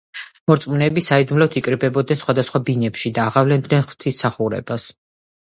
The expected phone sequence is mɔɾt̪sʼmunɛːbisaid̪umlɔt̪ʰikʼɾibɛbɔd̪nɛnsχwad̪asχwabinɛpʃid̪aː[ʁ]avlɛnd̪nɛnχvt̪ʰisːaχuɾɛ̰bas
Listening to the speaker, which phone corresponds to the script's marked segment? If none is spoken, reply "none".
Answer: ʁ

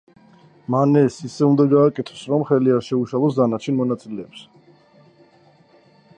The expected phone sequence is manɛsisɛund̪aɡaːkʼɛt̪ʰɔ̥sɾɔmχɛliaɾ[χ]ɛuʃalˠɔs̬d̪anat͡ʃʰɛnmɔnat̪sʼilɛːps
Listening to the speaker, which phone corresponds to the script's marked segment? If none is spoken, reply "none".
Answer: ʃ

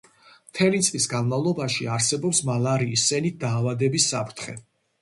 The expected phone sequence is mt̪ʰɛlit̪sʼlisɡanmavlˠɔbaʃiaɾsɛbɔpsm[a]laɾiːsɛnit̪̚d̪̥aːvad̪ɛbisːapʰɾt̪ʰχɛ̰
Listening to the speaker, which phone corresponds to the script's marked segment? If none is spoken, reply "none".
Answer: a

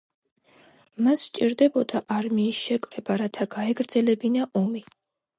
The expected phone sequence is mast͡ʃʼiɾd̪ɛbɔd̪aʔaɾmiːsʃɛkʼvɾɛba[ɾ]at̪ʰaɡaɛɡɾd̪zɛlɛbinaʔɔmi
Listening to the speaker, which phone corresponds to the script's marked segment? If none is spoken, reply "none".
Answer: ɾ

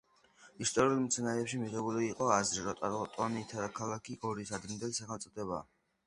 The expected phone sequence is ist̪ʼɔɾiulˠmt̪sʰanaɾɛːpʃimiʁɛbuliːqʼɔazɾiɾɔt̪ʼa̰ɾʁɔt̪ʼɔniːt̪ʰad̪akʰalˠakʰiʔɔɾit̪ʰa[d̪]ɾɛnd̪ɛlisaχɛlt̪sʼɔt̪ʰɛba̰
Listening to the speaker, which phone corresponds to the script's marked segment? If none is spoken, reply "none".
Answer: d̪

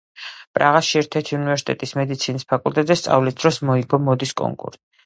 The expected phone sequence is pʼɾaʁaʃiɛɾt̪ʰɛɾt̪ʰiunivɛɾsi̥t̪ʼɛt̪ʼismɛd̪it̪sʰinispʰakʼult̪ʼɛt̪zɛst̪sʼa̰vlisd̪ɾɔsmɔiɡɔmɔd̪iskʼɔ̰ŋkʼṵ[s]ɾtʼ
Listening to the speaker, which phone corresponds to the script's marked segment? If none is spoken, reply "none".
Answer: none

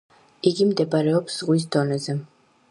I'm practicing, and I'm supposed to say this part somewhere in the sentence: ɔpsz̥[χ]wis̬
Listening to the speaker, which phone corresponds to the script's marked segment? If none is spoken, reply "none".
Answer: ʁ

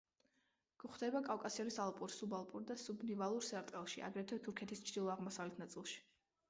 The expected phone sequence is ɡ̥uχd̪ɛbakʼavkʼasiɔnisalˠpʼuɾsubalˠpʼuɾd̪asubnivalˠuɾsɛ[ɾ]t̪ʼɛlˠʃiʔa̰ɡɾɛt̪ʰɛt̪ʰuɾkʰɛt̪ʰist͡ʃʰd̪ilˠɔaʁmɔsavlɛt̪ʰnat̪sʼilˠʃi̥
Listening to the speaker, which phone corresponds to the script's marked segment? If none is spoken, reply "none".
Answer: ɾ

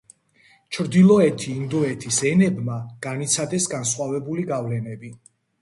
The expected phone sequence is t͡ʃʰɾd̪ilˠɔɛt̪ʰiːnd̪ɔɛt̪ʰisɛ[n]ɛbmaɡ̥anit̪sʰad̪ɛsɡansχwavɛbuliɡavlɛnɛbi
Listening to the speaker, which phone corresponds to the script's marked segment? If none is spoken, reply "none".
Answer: n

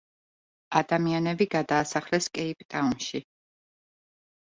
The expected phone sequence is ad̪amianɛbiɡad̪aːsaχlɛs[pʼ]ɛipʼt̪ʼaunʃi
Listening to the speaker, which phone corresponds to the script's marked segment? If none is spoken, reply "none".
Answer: kʼ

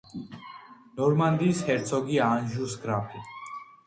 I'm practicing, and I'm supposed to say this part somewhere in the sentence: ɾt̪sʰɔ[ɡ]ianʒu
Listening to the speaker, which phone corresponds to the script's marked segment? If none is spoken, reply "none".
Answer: ɡ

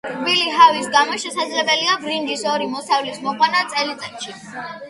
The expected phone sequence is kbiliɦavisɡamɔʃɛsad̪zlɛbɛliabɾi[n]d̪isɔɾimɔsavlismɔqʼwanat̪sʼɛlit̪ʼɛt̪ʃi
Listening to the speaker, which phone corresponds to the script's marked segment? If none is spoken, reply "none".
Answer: n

